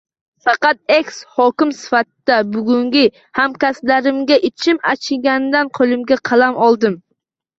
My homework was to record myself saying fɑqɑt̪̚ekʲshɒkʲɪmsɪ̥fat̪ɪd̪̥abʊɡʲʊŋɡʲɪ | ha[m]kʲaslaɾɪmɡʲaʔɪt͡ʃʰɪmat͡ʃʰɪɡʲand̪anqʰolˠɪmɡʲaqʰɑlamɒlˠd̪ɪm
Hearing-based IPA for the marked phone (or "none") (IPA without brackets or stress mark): m